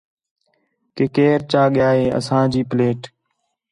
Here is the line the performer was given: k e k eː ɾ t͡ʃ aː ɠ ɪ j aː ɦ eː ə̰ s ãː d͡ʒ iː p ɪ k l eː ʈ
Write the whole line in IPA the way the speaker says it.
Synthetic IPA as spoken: k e k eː ɾ t͡ʃ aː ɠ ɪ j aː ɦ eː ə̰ s ãː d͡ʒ iː p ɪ l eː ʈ